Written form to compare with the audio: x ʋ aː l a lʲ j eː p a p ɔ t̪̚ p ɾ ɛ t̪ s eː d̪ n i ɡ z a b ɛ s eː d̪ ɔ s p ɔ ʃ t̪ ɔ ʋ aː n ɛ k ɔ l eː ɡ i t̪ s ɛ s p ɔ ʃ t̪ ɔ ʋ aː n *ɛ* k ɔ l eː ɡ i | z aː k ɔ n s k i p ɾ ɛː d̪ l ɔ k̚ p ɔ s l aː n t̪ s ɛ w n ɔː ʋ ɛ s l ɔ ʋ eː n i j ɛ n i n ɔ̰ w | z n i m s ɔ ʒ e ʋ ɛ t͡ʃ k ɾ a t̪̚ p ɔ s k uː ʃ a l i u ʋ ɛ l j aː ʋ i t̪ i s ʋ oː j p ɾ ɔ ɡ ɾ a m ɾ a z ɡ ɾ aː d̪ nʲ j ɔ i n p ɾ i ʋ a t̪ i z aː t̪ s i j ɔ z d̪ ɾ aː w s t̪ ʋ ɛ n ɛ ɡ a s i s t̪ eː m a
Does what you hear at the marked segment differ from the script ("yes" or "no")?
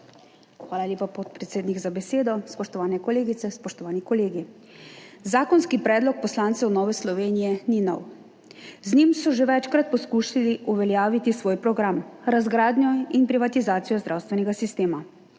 yes